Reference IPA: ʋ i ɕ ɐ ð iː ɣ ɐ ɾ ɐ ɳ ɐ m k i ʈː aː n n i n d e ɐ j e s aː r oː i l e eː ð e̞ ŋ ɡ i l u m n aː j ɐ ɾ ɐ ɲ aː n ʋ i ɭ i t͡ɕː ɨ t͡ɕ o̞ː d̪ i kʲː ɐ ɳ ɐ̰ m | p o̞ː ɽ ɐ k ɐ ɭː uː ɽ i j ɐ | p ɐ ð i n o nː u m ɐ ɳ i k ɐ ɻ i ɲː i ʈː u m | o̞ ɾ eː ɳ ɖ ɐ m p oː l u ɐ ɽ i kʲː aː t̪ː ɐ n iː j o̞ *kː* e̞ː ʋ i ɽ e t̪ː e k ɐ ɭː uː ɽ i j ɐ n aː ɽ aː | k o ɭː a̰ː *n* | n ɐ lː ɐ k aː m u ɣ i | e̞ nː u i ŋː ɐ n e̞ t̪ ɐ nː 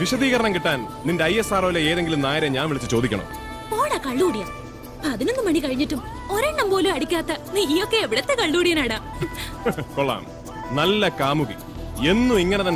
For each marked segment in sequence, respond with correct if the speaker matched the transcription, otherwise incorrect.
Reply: correct, incorrect

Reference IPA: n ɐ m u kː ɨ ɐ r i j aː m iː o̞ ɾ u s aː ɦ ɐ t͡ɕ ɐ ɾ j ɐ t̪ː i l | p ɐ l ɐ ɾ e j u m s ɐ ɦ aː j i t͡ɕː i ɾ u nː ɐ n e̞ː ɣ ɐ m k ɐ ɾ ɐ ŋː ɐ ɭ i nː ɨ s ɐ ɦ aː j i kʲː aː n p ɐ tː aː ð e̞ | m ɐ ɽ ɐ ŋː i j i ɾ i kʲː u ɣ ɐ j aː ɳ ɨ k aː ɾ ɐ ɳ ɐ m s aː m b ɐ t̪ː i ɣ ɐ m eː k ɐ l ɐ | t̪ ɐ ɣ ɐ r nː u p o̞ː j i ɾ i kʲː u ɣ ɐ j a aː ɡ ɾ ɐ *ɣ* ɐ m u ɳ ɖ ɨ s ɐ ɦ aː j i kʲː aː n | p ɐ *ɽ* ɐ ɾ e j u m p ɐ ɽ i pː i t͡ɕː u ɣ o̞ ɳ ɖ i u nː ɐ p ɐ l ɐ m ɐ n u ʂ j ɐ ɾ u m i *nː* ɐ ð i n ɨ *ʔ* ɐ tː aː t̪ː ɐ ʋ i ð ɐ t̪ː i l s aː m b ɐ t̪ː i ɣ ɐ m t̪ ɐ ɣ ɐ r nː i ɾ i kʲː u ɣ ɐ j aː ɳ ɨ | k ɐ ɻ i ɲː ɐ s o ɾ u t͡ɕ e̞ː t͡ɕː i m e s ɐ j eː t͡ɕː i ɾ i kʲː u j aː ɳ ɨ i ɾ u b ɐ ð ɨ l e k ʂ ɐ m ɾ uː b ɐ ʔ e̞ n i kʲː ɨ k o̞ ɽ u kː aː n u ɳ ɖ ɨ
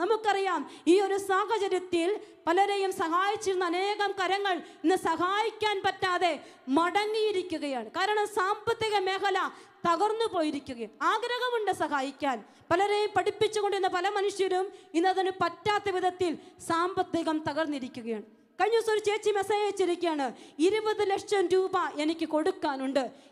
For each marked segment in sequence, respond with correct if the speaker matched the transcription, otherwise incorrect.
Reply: correct, incorrect, correct, incorrect

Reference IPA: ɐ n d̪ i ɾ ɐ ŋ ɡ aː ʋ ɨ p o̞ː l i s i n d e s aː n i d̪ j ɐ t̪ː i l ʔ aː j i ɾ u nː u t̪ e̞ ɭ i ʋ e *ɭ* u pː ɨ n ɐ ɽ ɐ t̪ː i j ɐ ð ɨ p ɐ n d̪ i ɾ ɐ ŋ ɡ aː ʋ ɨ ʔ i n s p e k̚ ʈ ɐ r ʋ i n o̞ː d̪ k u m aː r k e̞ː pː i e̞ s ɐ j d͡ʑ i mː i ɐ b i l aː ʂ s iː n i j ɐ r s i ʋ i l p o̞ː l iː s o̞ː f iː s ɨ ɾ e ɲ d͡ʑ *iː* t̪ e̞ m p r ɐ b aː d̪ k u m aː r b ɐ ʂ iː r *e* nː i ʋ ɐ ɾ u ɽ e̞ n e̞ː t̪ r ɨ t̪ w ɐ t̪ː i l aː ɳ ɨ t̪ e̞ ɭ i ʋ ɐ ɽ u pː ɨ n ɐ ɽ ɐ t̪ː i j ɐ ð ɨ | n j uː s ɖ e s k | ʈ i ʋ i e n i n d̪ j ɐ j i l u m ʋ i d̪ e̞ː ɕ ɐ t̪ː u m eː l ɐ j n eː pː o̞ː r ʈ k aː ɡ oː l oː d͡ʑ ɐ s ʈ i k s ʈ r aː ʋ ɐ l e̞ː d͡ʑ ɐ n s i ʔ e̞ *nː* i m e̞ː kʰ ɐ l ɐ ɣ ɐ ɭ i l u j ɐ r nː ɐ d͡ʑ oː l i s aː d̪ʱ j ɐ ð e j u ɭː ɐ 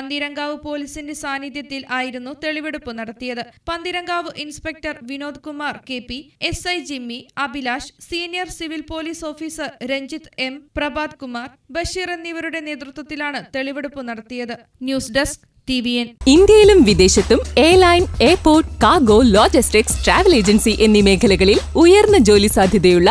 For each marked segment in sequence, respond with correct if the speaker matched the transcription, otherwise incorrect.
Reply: incorrect, incorrect, correct, correct

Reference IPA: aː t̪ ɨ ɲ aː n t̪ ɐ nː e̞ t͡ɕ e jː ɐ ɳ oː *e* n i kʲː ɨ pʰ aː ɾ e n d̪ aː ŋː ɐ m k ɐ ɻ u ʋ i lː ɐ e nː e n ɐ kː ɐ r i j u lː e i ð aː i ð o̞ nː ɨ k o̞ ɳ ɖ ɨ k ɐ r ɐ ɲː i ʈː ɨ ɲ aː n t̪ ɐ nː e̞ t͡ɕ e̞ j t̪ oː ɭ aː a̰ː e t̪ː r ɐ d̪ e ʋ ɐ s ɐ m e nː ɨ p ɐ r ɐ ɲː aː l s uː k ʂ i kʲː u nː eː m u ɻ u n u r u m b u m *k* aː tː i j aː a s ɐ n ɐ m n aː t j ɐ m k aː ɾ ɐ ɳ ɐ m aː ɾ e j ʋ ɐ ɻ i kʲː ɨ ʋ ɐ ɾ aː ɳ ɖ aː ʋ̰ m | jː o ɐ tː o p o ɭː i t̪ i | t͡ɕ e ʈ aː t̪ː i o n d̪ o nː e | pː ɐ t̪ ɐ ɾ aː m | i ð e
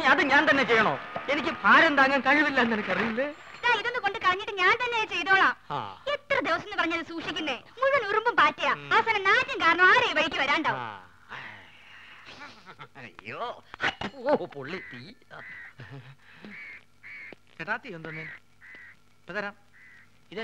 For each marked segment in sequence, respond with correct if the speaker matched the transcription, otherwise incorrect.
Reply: correct, incorrect

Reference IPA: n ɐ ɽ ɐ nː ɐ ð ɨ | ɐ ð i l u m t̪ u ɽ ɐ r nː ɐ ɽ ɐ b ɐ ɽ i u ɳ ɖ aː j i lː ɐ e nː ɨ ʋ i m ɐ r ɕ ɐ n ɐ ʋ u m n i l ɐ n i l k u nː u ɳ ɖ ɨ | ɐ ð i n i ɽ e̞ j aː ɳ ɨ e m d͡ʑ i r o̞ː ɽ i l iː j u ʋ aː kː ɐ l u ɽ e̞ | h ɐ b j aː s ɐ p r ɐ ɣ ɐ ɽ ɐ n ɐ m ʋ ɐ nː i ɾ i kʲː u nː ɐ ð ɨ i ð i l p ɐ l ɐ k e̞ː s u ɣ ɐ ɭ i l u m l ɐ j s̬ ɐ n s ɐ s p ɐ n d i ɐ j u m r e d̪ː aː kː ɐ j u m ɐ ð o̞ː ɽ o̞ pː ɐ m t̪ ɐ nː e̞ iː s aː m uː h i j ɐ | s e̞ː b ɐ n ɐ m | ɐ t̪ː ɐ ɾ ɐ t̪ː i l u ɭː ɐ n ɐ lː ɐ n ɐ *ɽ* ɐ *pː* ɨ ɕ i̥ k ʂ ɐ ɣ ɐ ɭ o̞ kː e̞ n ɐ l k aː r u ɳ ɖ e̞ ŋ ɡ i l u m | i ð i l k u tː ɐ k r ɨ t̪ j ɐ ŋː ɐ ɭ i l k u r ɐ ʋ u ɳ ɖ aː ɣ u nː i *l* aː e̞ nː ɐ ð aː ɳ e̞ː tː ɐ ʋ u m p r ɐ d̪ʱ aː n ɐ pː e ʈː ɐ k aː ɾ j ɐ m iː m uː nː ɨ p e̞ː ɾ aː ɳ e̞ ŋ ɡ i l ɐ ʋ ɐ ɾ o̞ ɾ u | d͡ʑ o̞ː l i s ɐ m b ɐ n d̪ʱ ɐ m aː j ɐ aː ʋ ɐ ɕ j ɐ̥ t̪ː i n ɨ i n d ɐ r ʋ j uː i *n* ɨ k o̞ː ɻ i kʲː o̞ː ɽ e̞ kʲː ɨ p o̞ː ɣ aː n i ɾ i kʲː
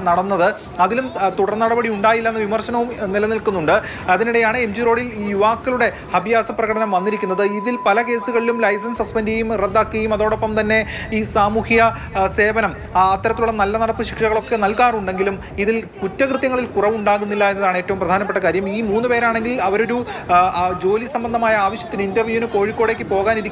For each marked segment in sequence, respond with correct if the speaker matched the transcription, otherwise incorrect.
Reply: correct, correct, incorrect, correct

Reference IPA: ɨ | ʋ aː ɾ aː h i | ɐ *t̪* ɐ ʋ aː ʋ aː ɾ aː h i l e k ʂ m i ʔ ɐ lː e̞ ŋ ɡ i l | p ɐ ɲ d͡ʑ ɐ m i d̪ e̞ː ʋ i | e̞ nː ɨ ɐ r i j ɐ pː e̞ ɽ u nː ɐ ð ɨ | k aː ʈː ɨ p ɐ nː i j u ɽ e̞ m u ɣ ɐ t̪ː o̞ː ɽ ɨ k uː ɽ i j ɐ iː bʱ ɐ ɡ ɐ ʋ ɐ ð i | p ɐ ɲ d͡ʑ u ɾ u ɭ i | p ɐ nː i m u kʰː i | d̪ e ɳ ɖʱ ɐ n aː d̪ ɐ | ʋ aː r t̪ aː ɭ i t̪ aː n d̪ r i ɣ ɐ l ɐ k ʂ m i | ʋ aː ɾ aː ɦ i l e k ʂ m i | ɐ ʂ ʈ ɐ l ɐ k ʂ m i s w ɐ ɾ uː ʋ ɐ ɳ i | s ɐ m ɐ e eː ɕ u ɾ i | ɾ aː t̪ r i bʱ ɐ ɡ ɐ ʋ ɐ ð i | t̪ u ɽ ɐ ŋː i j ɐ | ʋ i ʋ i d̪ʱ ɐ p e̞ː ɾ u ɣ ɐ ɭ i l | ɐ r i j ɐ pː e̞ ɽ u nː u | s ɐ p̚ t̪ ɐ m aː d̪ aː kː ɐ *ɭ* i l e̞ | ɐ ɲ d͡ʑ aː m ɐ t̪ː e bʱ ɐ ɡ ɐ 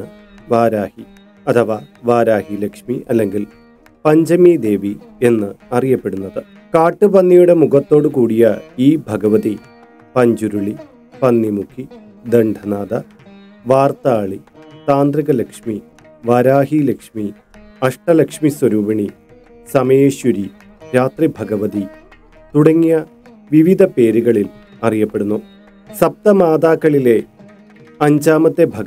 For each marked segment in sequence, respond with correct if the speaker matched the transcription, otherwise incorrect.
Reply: incorrect, correct

